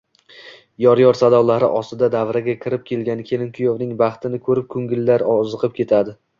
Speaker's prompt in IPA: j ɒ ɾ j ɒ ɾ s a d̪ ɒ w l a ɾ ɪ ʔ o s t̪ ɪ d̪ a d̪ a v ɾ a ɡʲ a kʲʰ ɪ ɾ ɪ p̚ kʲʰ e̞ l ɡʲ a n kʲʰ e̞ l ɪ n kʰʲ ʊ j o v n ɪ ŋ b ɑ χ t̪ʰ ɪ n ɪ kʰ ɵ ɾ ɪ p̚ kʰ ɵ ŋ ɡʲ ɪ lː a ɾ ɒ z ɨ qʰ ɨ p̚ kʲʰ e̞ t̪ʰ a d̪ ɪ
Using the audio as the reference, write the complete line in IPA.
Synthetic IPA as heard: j ɒ ɾ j ɒ ɾ s a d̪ ɒ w l a ɾ ɪ ʔ ɒ s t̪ ɪ d̪ a d̪ a v ɾ a ɡʲ a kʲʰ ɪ ɾ ɪ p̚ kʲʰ e̞ l ɡʲ a n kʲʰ e̞ l ɪ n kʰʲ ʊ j o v n ɪ ŋ b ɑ χ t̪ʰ ɪ n ɪ kʰ ɵ ɾ ɪ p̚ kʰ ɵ ŋ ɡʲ ɪ lː a ɾ ɒ z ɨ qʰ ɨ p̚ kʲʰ e̞ t̪ʰ a d̪ ɪ

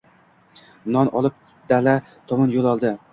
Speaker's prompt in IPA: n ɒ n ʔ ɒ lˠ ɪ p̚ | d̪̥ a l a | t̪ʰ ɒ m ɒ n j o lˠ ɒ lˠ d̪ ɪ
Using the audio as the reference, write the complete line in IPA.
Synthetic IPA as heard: n ɒ n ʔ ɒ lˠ ɪ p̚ | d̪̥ a l a | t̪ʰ ɒ m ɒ n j o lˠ ɒ lˠ d̪ ɪ

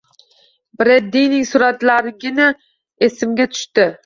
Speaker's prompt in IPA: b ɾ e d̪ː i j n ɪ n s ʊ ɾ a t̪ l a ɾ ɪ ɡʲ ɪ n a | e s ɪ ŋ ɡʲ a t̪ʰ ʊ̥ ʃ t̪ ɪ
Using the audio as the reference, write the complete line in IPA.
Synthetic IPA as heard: b ɾ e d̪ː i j n ɪ ŋ s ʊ ɾ a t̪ l a ɾ ɪ ɡʲ ɪ n a | e s ɪ m ɡʲ a t̪ʰ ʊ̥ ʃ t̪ ɪ

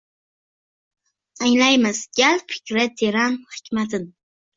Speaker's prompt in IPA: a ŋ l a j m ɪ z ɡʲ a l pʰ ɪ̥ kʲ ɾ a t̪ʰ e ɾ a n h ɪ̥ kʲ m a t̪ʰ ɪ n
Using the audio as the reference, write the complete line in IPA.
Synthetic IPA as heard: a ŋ l a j m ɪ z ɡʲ a l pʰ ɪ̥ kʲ ɾ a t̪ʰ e ɾ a n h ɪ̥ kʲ m a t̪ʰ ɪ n

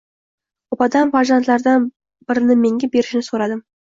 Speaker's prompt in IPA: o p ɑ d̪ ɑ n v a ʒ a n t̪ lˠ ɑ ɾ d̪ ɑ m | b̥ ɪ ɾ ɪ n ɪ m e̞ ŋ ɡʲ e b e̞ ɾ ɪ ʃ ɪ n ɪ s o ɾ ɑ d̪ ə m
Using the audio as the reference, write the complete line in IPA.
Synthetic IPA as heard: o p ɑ d̪ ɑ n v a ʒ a n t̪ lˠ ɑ ɾ d̪ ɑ n | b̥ ɪ ɾ ɪ n ɪ m e̞ ŋ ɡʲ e b e̞ ɾ ɪ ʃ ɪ n ɪ s o ɾ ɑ d̪ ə m

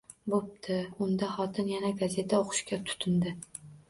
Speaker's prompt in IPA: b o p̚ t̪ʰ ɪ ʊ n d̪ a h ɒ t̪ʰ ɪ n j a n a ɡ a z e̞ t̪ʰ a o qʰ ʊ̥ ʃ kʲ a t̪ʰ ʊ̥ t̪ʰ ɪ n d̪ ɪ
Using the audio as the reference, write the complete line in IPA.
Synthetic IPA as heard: b o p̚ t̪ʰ ɪ ʊ n d̪ a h ɒ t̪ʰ ɪ n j a n a ɡ a z e̞ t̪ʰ a o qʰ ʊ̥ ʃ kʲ a t̪ʰ ʊ̥ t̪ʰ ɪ n d̪ ɪ

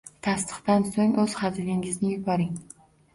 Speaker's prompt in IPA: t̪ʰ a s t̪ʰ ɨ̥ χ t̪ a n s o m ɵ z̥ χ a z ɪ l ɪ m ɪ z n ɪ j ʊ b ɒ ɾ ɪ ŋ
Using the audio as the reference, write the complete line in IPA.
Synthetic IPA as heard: t̪ʰ a s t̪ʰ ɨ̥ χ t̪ a n s o ŋ ɵ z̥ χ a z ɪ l ɪ ŋ ɪ z n ɪ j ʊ b ɒ ɾ ɪ ŋ

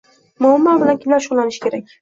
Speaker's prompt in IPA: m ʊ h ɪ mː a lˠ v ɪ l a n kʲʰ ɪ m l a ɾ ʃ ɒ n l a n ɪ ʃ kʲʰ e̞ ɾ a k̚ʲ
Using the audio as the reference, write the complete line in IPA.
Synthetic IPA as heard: m ʊ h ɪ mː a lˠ b ɪ l a n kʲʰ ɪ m l a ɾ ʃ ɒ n l a n ɪ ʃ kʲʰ e̞ ɾ a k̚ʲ

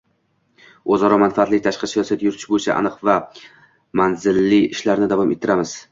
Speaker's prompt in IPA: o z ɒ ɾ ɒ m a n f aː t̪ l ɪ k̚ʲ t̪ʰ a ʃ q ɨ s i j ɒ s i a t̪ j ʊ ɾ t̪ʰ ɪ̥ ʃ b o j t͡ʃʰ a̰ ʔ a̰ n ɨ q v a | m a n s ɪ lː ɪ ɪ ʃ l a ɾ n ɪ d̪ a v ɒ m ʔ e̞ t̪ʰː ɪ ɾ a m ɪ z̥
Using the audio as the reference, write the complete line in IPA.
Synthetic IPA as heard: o z ɒ ɾ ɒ m a n f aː t̪ l ɪ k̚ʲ t̪ʰ a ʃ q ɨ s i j ɒ s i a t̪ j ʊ ɾ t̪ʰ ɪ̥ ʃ b o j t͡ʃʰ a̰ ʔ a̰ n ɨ q v a | m a n z ɪ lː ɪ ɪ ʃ l a ɾ n ɪ d̪ a v ɒ m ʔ e̞ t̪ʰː ɪ ɾ a m ɪ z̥

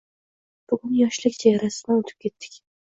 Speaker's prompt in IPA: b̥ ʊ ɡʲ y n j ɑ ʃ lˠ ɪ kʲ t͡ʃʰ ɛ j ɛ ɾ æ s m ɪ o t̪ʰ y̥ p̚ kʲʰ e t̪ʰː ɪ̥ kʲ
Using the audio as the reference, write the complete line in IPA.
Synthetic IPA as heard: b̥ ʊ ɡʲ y n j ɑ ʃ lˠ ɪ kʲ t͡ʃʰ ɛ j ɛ ɾ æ s m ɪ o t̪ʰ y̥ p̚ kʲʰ e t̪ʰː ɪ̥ kʲ

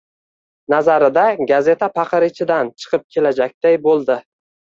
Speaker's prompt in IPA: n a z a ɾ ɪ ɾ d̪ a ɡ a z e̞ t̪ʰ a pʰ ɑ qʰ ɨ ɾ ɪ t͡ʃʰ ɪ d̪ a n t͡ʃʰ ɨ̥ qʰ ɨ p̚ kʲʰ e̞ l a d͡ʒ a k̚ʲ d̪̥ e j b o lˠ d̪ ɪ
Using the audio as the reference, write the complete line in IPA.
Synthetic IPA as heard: n a z a ɾ ɪ d̪ a ɡ a z e̞ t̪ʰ a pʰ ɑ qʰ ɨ ɾ ɪ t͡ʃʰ ɪ d̪ a n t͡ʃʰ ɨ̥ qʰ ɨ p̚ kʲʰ e̞ l a d͡ʒ a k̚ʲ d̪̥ a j b o lˠ d̪ ɪ

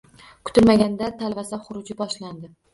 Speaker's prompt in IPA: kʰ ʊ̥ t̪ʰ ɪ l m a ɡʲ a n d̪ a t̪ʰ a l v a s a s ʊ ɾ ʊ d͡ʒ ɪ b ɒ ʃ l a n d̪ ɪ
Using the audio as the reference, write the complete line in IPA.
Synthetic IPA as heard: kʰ ʊ̥ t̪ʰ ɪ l m a ɡʲ a n d̪ a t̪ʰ a l v a s a χ ʊ ɾ ʊ d͡ʒ ɪ b ɒ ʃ l a n d̪ ɪ

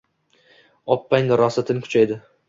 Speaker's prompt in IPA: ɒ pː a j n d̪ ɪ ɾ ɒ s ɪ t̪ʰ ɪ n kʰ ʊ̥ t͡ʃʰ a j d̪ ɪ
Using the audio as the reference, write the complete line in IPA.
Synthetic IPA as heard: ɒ pː a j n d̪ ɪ ɾ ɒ s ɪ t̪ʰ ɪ n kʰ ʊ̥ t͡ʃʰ a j d̪ ɪ

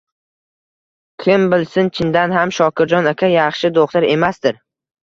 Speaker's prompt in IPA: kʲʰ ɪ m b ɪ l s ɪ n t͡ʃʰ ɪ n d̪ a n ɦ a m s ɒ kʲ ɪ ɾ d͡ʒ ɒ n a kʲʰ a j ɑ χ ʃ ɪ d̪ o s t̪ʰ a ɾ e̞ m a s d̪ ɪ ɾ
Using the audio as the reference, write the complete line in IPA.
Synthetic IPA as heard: kʲʰ ɪ m b ɪ l s ɪ n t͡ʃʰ ɪ n d̪ a n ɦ a m ʃ ɒ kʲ ɪ ɾ d͡ʒ ɒ n a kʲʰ a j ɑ χ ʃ ɪ d̪ o χ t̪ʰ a ɾ e̞ m a s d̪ ɪ ɾ

